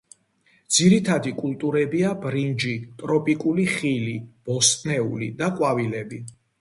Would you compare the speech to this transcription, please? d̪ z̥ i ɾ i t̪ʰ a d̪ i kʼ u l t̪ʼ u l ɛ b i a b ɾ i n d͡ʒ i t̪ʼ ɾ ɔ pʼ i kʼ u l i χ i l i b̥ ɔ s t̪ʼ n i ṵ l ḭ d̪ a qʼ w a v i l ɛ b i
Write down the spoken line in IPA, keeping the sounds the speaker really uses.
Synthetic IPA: d̪ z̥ i ɾ i t̪ʰ a d̪ i kʼ u l t̪ʼ u ɾ ɛ b i a b ɾ i n d͡ʒ i t̪ʼ ɾ ɔ pʼ i kʼ u l i χ i l i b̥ ɔ s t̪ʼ n ɛ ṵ l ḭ d̪ a qʼ w a v i l ɛ b i